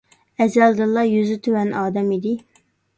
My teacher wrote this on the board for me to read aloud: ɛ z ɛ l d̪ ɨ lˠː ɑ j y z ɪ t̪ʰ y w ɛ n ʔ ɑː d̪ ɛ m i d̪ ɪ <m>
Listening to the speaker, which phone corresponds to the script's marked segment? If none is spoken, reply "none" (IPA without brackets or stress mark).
none